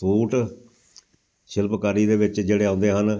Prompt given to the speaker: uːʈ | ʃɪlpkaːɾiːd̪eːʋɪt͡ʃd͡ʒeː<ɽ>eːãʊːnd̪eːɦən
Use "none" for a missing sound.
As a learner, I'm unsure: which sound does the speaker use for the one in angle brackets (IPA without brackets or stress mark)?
ɽ